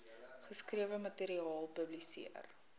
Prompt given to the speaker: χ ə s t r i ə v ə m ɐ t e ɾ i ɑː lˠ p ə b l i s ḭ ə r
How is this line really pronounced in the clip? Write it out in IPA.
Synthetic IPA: χ ə s k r i ə v ə m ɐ t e ɾ i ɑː lˠ p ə b l i s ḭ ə r